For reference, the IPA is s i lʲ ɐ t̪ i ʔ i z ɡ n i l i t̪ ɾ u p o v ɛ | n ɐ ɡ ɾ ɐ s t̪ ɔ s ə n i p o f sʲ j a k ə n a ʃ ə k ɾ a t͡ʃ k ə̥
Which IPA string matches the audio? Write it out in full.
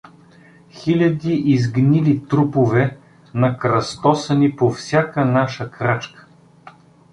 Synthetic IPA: x i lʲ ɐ d̪ i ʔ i z ɡ n i l i t̪ ɾ u p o v ɛ | n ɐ k ɾ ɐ s t̪ ɔ s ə n i p o f sʲ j a k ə n a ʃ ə k ɾ a t͡ʃ k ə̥